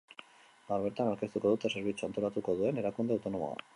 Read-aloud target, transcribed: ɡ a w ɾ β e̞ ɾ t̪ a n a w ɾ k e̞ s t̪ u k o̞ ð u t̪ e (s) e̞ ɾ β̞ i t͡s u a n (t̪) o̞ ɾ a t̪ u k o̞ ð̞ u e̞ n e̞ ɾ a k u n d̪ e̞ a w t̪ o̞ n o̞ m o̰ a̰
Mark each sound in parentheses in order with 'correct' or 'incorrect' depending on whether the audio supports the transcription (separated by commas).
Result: correct, correct